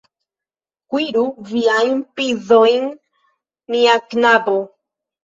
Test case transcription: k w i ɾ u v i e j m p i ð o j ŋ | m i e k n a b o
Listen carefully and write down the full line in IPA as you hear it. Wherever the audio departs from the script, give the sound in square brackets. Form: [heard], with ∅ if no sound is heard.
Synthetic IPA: k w i ɾ u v i [a] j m p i ð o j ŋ | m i [a] k n a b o

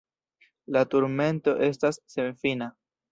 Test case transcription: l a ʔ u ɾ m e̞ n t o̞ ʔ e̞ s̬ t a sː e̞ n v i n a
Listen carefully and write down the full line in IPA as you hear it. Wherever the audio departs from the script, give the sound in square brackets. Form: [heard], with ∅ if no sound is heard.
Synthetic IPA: l a [t] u ɾ m e̞ n t o̞ ʔ e̞ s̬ t a sː e̞ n [f] i n a

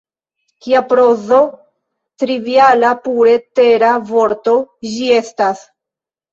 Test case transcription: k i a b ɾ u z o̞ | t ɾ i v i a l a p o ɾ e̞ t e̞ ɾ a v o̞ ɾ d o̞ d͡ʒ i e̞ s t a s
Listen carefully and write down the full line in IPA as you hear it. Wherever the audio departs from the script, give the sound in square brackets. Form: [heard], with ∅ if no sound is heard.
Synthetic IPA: k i a [p] ɾ [o] z o̞ | t ɾ i v i a l a p [u] ɾ e̞ t e̞ ɾ a v o̞ ɾ [t] o̞ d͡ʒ i e̞ s t a s

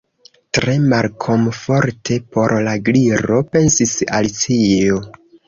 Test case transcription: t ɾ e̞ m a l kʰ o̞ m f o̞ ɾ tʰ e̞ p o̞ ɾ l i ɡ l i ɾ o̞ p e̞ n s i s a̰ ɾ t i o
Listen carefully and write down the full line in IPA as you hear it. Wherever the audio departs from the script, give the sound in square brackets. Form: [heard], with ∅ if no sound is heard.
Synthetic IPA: t ɾ e̞ m a l kʰ o̞ m f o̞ ɾ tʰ e̞ p o̞ ɾ l [a] ɡ l i ɾ o̞ p e̞ n s i s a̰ [l] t i o

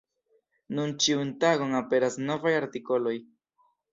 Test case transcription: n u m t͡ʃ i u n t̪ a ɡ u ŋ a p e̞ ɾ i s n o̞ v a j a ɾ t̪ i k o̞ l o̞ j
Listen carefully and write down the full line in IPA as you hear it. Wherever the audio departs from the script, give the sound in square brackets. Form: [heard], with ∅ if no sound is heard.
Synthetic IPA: n u [n] t͡ʃ i u n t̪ a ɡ [o] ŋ a p e̞ ɾ [a] s n o̞ v a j a ɾ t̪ i k o̞ l o̞ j

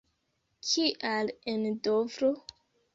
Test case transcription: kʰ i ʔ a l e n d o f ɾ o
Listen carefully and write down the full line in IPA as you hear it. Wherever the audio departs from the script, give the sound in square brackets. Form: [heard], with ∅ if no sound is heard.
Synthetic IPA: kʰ i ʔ a l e n d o [v] ɾ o

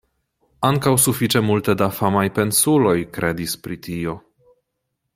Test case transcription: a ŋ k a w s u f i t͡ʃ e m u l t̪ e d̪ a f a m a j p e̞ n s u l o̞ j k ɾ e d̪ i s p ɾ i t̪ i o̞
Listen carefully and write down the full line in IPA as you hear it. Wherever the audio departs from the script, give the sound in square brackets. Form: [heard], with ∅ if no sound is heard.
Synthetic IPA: a ŋ k a w s u f i t͡ʃ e m u l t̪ e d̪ a f a m a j p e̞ n s u l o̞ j k ɾ e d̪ i s p ɾ i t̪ i o̞

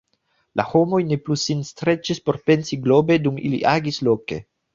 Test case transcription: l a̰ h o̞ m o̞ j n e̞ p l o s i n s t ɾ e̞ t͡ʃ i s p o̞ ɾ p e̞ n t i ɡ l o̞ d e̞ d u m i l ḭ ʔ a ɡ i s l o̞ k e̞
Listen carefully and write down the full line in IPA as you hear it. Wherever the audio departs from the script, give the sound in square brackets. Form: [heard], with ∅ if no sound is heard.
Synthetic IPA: l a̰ h o̞ m o̞ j n e̞ p l [u] s i n s t ɾ e̞ t͡ʃ i s p o̞ ɾ p e̞ n [s] i ɡ l o̞ [b] e̞ d u m i l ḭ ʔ a ɡ i s l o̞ k e̞

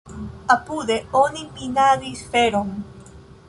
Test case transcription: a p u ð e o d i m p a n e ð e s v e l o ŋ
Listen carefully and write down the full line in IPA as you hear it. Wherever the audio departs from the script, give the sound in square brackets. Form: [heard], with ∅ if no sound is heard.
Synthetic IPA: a p u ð e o [n] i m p [i] n [a] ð [i] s [f] e [ɾ] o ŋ

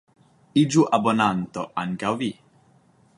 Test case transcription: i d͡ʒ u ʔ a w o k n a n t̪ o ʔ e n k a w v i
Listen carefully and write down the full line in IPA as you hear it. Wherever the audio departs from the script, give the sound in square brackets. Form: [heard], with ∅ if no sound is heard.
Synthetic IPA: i d͡ʒ u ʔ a [b] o [∅] n a n t̪ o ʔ [a] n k a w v i

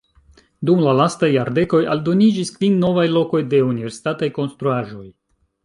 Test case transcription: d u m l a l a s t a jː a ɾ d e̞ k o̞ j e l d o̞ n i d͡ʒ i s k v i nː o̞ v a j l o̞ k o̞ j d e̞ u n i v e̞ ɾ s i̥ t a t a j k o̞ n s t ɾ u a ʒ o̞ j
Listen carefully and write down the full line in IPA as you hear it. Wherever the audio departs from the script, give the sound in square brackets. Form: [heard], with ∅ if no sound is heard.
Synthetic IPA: d u m l a l a s t a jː a ɾ d e̞ k o̞ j [a] l d o̞ n i d͡ʒ i s k v i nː o̞ v a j l o̞ k o̞ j d e̞ u n i v e̞ ɾ s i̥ t a t a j k o̞ n s t ɾ u a ʒ o̞ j

